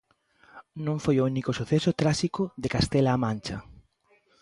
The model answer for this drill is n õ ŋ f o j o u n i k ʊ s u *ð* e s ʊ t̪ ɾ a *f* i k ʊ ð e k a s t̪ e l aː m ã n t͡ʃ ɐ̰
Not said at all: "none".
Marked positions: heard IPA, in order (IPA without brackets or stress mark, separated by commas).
θ, ʃ